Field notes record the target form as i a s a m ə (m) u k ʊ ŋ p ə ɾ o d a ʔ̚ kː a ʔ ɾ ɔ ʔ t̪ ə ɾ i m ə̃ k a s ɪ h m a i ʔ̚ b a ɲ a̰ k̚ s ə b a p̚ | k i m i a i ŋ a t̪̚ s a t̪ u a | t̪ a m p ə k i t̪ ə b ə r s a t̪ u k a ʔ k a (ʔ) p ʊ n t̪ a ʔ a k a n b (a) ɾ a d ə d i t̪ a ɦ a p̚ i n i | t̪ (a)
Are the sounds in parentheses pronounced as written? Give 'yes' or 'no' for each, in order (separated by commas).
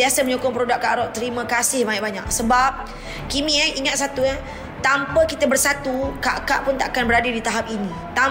no, yes, no, yes